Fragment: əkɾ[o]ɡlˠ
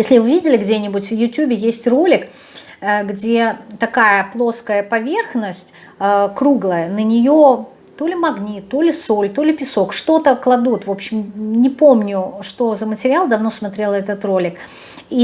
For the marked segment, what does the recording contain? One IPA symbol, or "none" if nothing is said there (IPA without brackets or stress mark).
u